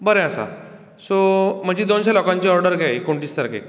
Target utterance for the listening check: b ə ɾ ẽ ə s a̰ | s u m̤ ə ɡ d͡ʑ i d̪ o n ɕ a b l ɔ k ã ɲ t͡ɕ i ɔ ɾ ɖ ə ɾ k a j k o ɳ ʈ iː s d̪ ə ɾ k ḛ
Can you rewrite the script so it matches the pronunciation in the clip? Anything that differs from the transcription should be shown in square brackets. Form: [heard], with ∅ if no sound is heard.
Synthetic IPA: b ə ɾ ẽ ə s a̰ | s [o] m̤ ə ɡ d͡ʑ i d̪ o n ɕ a [∅] l ɔ k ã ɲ t͡ɕ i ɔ ɾ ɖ ə ɾ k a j k o ɳ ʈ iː s [t̪] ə ɾ k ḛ